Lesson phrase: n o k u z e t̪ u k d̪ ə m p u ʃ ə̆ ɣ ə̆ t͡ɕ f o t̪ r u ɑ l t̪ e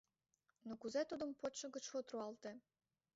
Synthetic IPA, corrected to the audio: n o k u z e t̪ u d̪ ə m p o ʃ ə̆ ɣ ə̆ t͡ɕ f o t̪ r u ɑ l t̪ e